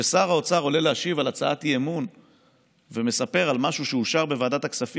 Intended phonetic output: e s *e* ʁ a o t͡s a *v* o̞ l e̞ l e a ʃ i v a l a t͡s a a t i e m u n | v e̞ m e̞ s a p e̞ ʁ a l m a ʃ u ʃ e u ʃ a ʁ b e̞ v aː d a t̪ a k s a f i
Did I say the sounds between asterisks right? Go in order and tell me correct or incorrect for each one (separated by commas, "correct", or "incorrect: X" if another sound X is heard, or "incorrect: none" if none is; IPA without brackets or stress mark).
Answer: incorrect: a, incorrect: ʁ